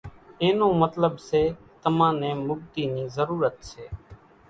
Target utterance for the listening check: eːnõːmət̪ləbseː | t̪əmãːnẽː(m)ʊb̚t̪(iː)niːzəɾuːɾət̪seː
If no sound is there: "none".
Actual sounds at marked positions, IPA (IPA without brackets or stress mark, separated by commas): m, iː